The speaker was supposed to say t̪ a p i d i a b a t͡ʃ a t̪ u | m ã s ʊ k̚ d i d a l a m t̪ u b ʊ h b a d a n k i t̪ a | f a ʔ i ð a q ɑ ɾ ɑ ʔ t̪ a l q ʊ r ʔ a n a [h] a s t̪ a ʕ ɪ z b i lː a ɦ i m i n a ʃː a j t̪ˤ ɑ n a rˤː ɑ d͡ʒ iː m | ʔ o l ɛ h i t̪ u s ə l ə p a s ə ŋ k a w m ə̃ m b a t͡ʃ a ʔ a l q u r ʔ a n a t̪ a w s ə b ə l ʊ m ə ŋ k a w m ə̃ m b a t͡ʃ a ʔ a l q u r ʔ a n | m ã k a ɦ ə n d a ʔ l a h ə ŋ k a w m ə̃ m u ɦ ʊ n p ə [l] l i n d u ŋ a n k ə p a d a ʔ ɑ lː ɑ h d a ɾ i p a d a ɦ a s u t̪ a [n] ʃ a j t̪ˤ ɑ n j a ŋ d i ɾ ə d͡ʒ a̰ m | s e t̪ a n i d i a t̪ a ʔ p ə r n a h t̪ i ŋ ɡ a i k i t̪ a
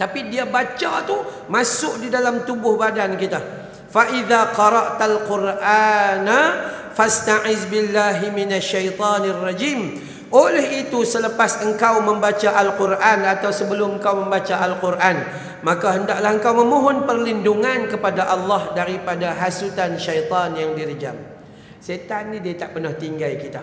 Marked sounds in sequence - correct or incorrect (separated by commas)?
incorrect, incorrect, correct